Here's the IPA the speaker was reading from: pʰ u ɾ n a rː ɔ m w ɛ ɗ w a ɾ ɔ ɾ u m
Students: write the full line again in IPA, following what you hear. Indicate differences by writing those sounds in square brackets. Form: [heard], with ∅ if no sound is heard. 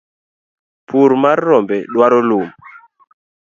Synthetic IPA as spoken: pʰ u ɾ [m] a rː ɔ m [b] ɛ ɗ w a ɾ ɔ [l] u m